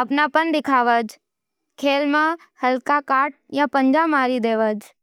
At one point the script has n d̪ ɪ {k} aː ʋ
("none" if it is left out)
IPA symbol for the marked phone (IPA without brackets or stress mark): kʰ